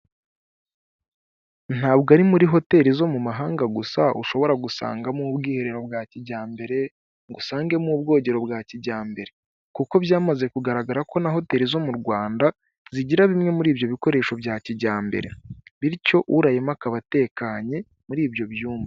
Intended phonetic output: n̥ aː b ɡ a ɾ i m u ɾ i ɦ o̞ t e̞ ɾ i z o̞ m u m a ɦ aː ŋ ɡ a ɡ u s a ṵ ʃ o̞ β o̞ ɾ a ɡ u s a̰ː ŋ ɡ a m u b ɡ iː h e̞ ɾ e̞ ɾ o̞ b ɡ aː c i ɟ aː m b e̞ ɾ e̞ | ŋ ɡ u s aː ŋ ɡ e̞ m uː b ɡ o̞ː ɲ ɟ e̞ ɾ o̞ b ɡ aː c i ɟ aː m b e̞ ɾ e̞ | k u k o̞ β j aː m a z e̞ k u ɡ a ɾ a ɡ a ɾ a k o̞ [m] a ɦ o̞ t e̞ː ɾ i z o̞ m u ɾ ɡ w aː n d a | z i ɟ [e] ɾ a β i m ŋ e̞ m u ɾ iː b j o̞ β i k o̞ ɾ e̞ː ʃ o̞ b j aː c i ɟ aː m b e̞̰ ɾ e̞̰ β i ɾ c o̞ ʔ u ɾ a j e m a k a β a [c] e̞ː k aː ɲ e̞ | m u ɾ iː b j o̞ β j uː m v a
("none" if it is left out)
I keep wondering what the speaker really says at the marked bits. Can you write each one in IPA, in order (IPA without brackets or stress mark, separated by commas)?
n, i, t